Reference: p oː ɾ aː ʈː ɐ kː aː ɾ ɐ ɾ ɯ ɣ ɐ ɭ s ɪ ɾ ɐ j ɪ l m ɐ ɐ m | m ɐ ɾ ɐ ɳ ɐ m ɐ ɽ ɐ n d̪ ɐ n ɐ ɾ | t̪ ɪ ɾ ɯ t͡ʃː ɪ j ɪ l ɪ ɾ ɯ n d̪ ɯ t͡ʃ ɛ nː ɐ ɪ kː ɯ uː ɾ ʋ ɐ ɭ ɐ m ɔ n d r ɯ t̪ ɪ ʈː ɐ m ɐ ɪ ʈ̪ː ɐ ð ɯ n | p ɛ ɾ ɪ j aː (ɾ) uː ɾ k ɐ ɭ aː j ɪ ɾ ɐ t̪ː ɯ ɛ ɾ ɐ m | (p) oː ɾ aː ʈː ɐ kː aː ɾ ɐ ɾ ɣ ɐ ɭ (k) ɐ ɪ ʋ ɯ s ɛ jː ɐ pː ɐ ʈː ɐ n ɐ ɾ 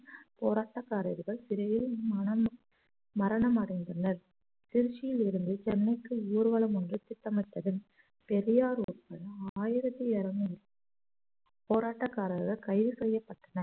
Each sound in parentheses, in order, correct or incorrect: correct, correct, correct

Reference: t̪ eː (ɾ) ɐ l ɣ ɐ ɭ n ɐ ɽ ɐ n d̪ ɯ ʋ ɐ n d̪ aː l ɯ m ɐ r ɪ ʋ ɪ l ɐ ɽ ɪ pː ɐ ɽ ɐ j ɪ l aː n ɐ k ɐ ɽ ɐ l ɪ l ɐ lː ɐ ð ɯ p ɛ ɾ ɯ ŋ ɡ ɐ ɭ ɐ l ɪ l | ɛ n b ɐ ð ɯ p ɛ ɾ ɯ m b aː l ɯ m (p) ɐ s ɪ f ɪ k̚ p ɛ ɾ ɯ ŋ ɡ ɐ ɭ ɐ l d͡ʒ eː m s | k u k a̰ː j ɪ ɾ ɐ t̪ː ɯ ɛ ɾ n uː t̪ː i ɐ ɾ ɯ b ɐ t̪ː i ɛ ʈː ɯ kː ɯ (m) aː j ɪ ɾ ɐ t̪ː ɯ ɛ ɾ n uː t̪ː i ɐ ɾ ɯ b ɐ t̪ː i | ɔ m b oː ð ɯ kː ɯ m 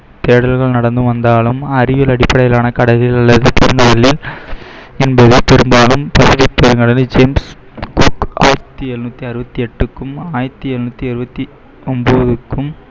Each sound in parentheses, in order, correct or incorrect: incorrect: ɽ, correct, correct

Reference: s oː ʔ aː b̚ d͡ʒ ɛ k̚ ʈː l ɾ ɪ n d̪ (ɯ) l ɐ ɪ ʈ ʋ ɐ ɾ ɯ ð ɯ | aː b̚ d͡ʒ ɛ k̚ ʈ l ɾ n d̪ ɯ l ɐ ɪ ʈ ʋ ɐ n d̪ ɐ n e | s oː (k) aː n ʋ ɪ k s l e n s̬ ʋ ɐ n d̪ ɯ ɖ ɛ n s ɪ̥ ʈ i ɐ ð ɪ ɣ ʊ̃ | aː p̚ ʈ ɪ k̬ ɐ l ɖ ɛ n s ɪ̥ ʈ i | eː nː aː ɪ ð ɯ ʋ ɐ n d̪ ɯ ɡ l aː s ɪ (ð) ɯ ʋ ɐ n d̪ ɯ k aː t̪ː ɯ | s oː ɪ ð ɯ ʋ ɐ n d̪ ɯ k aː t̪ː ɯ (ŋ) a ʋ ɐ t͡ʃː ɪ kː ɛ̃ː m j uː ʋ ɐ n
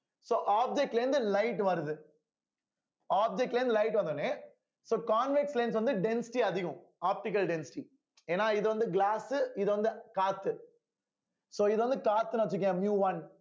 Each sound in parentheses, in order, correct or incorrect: correct, correct, correct, incorrect: n

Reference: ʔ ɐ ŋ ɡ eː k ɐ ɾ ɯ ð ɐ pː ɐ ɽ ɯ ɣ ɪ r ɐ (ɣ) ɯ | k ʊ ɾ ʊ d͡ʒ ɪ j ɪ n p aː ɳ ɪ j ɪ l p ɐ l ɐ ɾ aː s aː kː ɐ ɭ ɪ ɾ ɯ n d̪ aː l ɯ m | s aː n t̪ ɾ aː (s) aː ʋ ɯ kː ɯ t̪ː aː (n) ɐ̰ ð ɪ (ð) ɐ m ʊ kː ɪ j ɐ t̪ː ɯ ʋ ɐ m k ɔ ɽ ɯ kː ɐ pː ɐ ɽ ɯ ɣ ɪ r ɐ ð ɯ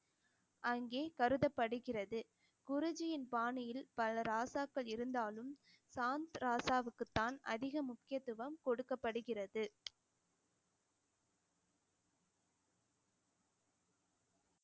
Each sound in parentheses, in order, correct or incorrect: incorrect: ð, correct, correct, incorrect: ɣ

